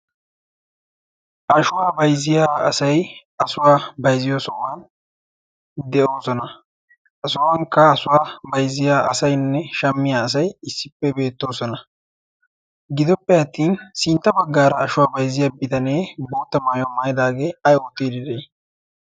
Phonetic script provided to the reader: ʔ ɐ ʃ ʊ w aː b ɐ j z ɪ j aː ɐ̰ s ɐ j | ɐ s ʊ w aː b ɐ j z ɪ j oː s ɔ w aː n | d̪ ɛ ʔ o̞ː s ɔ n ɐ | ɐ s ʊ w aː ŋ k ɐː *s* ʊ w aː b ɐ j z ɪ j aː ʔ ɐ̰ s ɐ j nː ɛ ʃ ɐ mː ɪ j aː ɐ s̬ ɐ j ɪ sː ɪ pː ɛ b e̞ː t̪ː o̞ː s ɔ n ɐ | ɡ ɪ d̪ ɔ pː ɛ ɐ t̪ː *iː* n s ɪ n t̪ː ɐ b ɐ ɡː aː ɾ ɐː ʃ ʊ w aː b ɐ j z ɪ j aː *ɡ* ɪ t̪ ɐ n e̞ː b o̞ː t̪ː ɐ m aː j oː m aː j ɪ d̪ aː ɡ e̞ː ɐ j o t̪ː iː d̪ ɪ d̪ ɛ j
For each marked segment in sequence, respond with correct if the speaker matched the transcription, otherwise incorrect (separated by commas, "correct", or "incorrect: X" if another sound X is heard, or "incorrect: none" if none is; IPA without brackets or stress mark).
correct, correct, incorrect: b